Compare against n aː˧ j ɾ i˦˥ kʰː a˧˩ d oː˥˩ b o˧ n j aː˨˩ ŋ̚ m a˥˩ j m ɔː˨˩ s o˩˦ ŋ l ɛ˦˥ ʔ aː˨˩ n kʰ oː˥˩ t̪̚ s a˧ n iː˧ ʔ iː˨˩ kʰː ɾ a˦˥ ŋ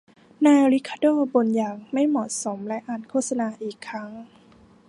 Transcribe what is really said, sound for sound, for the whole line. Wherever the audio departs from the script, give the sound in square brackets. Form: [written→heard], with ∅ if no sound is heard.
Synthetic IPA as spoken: n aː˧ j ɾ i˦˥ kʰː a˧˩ d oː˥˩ b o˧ n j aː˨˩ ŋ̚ m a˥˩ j m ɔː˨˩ s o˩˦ [ŋ→m] l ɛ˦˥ ʔ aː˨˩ n kʰ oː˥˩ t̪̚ s a˧ n [iː˧→aː˧] ʔ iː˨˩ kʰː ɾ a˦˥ ŋ